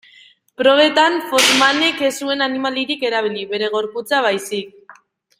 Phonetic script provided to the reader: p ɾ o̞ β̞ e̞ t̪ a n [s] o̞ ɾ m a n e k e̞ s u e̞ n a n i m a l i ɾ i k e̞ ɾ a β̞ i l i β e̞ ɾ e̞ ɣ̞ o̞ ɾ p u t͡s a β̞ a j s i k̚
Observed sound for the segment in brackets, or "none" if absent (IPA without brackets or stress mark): f